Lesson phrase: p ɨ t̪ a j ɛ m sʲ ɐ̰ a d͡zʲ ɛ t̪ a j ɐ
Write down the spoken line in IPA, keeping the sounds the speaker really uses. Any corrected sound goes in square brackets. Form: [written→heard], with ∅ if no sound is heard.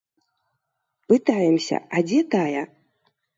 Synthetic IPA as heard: p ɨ t̪ a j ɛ m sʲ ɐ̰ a d͡zʲ ɛ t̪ a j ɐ